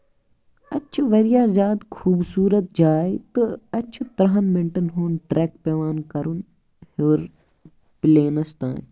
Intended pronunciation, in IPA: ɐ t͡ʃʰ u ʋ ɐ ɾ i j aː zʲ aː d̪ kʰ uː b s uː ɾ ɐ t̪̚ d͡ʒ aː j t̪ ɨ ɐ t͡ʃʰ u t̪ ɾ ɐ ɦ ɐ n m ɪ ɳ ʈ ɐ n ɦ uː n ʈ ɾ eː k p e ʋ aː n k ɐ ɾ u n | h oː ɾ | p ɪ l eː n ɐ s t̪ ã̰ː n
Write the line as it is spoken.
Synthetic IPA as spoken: ɐ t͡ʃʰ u ʋ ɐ ɾ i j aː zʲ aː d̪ kʰ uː b s uː ɾ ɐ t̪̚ d͡ʒ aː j t̪ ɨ ɐ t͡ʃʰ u t̪ ɾ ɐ ɦ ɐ n m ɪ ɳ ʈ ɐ n ɦ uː n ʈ ɾ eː k p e ʋ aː n k ɐ ɾ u n | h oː ɾ | p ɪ l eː n ɐ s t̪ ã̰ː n